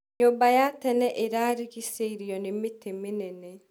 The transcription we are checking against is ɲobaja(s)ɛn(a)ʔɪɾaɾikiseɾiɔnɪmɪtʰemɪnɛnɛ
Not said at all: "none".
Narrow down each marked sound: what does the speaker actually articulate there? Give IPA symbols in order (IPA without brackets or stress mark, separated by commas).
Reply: t, ɛ